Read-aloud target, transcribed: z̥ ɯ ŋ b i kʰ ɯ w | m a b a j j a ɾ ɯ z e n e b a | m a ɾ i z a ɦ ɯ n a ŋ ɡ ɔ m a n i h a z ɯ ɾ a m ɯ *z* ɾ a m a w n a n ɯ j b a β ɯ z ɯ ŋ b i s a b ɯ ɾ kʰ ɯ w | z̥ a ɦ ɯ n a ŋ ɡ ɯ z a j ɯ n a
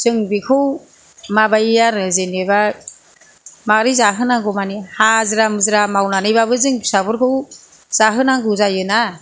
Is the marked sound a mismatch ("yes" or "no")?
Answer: no